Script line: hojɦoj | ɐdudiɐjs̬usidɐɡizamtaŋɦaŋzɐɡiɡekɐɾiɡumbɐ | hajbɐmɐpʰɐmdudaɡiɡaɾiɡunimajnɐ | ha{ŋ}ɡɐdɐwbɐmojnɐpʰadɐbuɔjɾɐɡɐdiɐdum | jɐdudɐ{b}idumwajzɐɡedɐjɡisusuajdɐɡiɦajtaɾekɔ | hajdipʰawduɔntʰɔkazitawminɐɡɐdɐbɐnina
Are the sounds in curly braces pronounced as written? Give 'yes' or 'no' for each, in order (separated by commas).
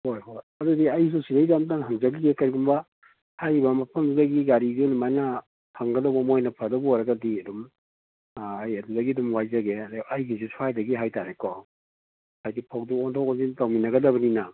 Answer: yes, no